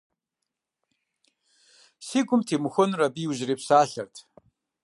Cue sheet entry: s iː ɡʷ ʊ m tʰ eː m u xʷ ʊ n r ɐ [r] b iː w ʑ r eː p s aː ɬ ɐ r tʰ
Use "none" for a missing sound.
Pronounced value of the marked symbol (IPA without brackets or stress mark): none